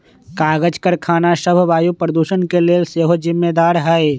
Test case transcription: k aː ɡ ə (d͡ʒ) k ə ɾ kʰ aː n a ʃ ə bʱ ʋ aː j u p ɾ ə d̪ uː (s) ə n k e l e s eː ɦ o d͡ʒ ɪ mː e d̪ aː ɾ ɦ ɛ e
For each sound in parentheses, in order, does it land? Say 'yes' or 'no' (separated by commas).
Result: yes, no